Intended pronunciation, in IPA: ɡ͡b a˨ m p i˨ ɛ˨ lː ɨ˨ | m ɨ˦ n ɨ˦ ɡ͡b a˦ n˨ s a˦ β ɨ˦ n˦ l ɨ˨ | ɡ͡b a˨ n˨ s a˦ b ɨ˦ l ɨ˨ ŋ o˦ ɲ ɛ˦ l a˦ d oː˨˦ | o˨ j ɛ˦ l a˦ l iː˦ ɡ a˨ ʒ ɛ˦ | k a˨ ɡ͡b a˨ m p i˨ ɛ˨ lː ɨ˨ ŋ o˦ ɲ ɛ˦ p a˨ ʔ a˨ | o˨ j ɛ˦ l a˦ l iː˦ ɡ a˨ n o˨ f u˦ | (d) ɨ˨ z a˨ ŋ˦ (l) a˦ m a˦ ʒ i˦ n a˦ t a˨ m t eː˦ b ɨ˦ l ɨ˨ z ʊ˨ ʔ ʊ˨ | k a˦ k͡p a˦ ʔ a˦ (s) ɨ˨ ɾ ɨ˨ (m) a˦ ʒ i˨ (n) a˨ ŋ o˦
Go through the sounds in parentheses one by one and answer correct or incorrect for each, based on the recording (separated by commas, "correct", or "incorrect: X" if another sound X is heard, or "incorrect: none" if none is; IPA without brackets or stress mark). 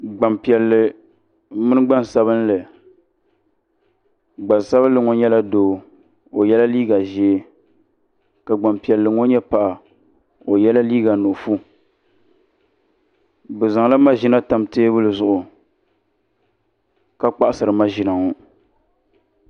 incorrect: b, correct, correct, correct, correct